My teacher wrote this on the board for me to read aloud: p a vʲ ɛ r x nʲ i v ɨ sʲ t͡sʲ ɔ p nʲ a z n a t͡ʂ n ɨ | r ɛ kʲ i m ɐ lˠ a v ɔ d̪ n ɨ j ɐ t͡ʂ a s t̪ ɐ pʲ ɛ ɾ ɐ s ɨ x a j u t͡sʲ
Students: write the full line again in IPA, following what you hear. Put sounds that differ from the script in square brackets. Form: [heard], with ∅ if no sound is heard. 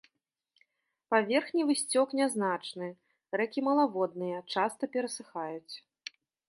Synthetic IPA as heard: p a vʲ ɛ r x nʲ i v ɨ sʲ t͡sʲ ɔ [k] nʲ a z n a t͡ʂ n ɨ | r ɛ kʲ i m ɐ lˠ a v ɔ d̪ n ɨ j ɐ t͡ʂ a s t̪ ɐ pʲ ɛ ɾ ɐ s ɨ x a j u t͡sʲ